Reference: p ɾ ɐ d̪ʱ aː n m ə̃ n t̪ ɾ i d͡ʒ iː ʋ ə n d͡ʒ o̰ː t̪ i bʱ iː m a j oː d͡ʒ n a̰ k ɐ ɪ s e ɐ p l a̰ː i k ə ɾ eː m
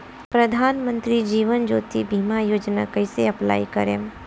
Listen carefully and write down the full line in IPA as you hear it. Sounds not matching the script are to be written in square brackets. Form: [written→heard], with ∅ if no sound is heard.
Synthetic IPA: p ɾ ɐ d̪ʱ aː n m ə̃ n t̪ ɾ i d͡ʒ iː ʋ ə n d͡ʒ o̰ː t̪ i bʱ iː m a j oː d͡ʒ n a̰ k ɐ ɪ s e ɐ p l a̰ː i k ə ɾ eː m